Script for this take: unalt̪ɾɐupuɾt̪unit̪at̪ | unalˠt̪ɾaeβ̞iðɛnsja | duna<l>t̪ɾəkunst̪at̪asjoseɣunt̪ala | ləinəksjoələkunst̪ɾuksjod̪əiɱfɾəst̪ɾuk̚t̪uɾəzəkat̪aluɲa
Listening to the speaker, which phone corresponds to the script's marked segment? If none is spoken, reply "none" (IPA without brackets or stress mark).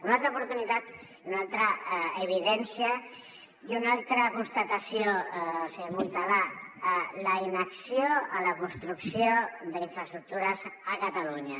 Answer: l